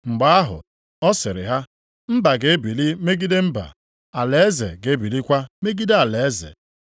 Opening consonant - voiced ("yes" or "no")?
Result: yes